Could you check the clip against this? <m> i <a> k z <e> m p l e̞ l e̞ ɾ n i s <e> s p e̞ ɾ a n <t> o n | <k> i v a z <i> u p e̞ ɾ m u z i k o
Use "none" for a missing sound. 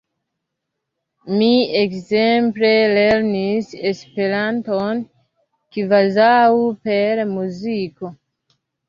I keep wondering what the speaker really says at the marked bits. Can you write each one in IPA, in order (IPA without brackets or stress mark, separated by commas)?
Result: m, e, e, e, t, k, a